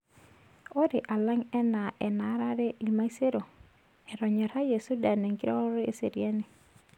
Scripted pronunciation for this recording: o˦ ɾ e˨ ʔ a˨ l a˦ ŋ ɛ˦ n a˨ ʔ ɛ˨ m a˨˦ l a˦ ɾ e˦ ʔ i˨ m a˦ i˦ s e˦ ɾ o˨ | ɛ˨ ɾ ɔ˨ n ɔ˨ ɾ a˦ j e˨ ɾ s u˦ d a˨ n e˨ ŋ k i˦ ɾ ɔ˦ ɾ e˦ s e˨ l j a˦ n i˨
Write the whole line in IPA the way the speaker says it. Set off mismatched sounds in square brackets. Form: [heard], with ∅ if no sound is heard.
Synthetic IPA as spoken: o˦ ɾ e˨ ʔ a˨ l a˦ ŋ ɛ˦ n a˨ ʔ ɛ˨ [n] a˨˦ [ɾ] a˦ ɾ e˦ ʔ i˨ m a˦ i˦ s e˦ ɾ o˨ | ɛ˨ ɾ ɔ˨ [ɲ] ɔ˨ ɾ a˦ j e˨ [∅] s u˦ d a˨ n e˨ ŋ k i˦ ɾ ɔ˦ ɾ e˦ s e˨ [ɾ] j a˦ n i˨